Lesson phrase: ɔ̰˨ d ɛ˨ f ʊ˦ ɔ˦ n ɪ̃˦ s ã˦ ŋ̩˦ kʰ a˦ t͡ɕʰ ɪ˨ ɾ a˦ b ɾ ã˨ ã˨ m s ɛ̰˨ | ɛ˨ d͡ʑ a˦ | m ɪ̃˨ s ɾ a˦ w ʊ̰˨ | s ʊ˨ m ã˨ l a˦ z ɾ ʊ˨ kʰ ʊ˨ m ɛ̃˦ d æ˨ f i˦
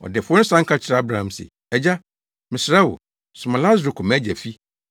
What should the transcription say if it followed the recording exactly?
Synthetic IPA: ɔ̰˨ d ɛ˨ f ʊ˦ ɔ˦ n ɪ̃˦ s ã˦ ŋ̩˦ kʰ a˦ t͡ɕʰ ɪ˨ ɾ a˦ b ɾ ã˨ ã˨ m s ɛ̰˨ | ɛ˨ d͡ʑ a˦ | m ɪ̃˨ s ɾ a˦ w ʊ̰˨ | s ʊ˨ m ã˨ l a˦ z ɾ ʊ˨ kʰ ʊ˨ m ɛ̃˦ d͡ʑ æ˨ f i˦